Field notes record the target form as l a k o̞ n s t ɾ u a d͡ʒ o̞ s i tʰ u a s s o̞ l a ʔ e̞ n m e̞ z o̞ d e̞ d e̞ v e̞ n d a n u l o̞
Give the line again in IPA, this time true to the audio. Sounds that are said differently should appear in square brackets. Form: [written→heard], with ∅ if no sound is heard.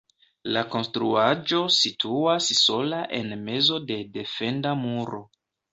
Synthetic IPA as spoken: l a k o̞ n s t ɾ u a d͡ʒ o̞ s i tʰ u a s s o̞ l a ʔ e̞ n m e̞ z o̞ d e̞ d e̞ [v→f] e̞ n d a [n→m] u [l→ɾ] o̞